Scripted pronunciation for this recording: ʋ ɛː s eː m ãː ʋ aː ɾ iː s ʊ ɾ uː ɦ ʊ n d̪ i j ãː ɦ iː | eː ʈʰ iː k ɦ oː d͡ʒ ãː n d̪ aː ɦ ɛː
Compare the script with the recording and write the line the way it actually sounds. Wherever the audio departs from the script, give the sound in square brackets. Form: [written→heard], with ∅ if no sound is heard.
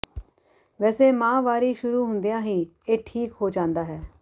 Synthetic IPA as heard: ʋ ɛː s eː m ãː ʋ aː ɾ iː [s→ʃ] ʊ ɾ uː ɦ ʊ n d̪ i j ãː ɦ iː | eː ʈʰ iː k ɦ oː d͡ʒ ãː n d̪ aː ɦ ɛː